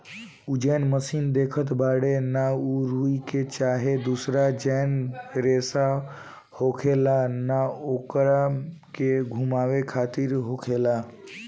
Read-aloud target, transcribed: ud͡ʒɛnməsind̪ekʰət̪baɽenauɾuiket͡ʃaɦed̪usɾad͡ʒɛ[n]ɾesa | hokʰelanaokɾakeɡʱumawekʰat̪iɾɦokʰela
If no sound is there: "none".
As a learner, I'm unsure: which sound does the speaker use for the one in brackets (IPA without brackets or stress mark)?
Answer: n